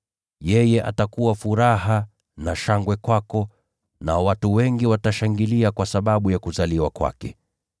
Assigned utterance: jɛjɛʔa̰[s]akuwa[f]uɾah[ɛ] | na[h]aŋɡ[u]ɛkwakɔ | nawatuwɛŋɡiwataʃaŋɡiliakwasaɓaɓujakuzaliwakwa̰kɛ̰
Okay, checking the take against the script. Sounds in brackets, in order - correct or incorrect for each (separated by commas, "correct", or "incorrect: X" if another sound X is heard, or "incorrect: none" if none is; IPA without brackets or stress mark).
incorrect: t, correct, incorrect: a, incorrect: ʃ, incorrect: w